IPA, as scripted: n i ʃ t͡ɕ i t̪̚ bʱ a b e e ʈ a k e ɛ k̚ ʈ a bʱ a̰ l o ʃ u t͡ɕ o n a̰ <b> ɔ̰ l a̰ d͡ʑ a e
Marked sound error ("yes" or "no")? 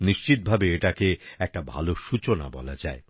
no